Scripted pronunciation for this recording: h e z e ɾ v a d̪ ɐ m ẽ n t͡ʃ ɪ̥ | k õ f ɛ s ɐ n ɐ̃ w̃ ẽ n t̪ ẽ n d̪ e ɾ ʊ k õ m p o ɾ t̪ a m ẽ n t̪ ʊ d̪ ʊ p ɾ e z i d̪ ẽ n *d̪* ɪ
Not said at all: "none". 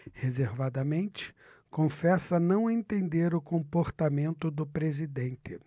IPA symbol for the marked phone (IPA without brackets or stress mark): t̪